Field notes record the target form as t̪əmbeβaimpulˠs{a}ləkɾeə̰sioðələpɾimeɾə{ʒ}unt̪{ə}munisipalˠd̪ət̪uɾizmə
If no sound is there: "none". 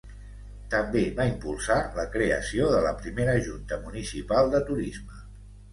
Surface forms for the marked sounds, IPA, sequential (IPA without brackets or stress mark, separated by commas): a, ʒ, ə